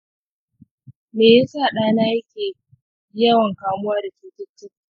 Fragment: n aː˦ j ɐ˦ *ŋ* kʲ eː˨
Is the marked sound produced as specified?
no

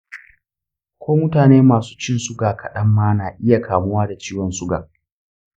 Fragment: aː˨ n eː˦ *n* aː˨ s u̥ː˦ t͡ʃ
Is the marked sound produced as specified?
no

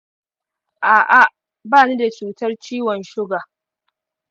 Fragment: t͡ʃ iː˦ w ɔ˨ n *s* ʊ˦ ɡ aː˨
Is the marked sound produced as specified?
no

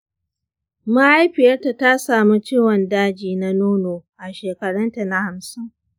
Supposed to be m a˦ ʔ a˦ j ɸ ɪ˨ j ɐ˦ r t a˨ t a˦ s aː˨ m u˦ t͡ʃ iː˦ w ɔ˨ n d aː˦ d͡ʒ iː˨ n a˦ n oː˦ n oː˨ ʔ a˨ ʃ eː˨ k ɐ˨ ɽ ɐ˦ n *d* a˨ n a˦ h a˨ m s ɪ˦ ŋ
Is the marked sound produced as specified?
no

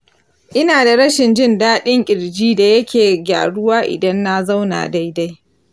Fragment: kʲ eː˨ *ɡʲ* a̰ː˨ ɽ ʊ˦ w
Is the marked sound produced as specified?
yes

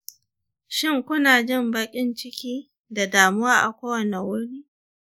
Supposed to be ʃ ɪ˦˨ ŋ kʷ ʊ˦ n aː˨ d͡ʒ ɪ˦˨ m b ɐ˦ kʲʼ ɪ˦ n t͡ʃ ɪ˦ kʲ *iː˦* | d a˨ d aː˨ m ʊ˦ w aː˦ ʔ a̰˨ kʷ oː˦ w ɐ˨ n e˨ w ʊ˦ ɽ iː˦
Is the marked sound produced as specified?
yes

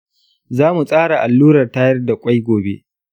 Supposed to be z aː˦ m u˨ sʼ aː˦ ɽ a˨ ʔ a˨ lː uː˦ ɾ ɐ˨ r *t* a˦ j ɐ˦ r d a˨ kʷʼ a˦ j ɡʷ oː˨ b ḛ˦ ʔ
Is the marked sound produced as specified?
yes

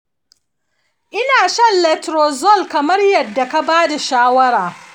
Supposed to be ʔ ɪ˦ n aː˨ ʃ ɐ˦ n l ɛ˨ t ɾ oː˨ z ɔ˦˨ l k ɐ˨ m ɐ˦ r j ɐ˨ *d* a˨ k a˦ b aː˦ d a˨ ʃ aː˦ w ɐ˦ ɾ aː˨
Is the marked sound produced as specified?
no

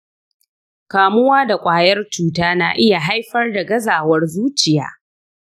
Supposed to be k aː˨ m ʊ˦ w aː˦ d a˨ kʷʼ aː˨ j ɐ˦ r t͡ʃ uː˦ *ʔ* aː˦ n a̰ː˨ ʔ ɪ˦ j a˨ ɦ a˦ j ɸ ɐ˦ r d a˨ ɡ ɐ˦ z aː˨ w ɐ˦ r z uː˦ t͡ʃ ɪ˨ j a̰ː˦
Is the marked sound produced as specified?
no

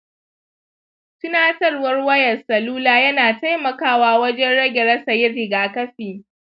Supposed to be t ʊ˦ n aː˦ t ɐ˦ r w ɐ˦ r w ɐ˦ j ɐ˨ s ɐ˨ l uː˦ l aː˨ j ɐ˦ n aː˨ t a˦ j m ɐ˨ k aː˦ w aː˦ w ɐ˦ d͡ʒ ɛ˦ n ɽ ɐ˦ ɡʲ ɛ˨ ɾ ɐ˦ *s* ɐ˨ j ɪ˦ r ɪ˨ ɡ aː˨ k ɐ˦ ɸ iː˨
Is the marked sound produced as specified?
yes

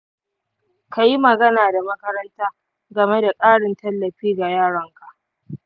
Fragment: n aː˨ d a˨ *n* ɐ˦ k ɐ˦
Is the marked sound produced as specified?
no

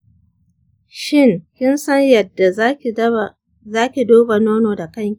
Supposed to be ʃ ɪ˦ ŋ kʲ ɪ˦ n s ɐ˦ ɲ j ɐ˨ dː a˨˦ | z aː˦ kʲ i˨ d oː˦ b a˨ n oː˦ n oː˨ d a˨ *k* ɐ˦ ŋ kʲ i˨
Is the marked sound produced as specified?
yes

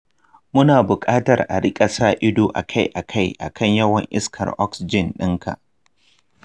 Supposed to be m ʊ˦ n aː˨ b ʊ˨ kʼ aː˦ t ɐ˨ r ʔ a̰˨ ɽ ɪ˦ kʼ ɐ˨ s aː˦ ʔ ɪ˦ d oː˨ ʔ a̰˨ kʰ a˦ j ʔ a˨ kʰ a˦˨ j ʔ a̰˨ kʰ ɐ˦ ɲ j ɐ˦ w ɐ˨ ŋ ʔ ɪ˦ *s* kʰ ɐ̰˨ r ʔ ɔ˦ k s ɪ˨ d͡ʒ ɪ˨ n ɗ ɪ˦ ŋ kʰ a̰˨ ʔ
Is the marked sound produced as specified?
yes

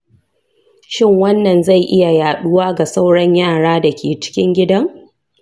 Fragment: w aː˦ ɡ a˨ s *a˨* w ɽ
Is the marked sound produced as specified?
no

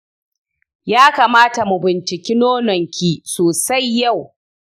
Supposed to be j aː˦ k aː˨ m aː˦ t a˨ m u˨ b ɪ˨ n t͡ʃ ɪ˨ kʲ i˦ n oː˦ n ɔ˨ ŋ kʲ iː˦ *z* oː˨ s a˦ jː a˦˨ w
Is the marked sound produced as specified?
no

